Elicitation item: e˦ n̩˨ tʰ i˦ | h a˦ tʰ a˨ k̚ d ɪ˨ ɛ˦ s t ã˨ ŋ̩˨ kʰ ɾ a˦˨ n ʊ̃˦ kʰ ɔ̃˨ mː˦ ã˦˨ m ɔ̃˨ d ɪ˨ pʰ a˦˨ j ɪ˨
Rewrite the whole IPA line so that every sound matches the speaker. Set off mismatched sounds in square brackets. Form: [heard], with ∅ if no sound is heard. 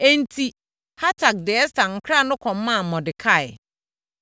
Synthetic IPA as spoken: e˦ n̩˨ tʰ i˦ | h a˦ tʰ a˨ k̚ d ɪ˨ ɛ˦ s t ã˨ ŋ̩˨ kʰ ɾ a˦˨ n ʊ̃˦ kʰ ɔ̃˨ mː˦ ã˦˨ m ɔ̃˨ d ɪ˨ [kʰ] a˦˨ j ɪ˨